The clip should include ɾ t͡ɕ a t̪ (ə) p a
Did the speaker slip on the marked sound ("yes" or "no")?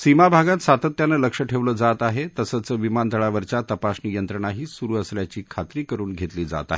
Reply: no